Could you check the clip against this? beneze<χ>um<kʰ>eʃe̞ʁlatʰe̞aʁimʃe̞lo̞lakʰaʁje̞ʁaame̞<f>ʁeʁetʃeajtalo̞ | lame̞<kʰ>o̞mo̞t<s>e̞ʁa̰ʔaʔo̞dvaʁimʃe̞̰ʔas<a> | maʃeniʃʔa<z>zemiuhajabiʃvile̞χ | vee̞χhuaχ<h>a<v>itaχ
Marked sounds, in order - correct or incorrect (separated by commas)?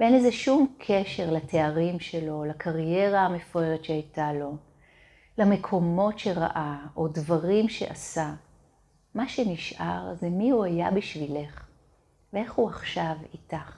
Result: incorrect, correct, correct, correct, incorrect, correct, incorrect, incorrect, correct